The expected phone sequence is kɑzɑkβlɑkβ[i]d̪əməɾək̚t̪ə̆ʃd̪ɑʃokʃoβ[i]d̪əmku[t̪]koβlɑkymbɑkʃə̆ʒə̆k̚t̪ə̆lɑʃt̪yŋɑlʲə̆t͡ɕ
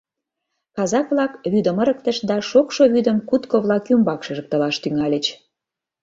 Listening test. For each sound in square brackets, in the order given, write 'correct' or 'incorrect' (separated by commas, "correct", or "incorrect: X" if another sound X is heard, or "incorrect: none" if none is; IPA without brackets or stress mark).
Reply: incorrect: y, incorrect: y, correct